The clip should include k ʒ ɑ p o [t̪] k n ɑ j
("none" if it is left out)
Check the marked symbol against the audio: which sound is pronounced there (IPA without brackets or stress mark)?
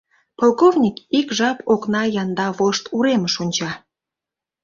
none